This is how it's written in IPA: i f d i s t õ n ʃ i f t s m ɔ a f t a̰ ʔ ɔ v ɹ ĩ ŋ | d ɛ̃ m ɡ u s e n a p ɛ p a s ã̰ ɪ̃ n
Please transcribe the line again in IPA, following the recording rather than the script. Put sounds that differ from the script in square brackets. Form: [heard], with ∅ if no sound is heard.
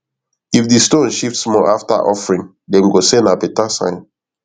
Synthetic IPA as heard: i f d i s t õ n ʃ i f t s m ɔ a f t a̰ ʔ ɔ [f] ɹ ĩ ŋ | d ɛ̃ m ɡ [o] s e n a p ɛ [t] a s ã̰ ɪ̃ n